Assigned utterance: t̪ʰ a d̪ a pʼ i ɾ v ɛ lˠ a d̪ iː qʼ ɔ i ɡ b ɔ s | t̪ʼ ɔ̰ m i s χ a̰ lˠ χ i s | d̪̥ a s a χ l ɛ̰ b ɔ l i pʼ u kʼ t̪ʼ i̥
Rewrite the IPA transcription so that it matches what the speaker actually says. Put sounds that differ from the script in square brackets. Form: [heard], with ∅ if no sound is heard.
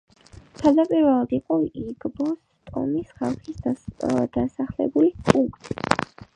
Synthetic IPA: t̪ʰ a d̪ a pʼ i ɾ v ɛ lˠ a d̪ [i] qʼ ɔ i ɡ b ɔ s | t̪ʼ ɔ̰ m i s χ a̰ lˠ χ i s | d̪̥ a s a χ l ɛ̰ b [u] l i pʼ u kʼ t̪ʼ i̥